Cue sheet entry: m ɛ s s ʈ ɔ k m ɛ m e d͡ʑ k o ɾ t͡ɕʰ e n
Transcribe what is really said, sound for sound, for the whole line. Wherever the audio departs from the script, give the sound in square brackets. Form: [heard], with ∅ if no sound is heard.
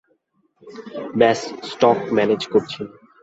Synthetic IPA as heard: [b] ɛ s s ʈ ɔ k m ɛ [n] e d͡ʑ k o ɾ t͡ɕʰ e n